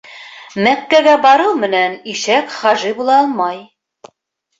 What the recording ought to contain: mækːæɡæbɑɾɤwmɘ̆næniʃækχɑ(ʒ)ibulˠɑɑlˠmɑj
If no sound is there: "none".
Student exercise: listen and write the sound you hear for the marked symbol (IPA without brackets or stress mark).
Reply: ʒ